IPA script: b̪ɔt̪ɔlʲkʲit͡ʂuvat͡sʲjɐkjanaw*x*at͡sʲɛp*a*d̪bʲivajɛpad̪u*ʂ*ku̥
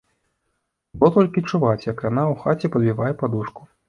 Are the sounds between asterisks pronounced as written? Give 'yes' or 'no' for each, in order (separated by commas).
yes, no, yes